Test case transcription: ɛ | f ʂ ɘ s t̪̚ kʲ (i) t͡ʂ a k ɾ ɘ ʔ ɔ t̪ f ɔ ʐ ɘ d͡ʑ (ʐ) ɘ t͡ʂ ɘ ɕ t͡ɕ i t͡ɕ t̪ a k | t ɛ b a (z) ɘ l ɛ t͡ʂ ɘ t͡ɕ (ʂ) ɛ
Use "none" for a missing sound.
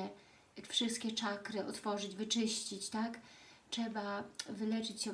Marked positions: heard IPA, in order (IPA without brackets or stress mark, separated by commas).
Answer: ɛ, v, v, ɕ